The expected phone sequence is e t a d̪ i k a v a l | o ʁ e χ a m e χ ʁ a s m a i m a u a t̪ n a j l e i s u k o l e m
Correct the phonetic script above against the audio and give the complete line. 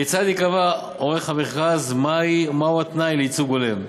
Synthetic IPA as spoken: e t͡s a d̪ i k a v a | o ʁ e χ a m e χ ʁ a z m a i m a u a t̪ n a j l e i t͡s u ɡ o l e m